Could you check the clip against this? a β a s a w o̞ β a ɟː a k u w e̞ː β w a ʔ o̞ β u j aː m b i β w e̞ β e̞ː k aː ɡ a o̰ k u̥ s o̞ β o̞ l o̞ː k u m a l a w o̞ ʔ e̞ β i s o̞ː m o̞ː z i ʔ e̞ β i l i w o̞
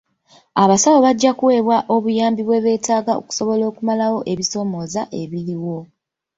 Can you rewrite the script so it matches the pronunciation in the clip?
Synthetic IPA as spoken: a β a s a w o̞ β a ɟː a k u w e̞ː β w a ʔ o̞ β u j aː m b i β w e̞ β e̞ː t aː ɡ a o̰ k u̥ s o̞ β o̞ l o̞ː k u m a l a w o̞ ʔ e̞ β i s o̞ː m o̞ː z a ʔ e̞ β i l i w o̞